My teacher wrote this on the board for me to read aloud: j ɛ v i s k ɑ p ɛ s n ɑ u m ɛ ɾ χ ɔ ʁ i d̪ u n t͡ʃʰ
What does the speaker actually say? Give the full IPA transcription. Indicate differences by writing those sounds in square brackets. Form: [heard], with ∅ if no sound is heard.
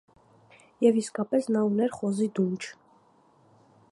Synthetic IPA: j ɛ v i s k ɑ p ɛ s n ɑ u [n] ɛ ɾ χ ɔ [z] i d̪ u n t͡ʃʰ